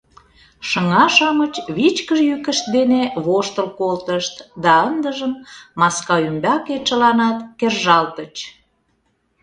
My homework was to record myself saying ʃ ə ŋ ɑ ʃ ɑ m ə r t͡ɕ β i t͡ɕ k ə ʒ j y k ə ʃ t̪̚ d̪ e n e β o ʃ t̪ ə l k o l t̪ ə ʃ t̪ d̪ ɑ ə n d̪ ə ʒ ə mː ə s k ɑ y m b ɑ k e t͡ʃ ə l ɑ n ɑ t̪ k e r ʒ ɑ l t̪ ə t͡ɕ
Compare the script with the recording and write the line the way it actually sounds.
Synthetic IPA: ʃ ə ŋ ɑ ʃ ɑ m ə t͡ɕ β i t͡ɕ k ə ʒ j y k ə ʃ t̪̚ d̪ e n e β o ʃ t̪ ə l k o l t̪ ə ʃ t̪ d̪ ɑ ə n d̪ ə ʒ ə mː ɑ s k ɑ y m b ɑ k e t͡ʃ ə l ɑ n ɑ t̪ k e r ʒ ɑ l t̪ ə t͡ɕ